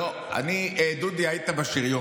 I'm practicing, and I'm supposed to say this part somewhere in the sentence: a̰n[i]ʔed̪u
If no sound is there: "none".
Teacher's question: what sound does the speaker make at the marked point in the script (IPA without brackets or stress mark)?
i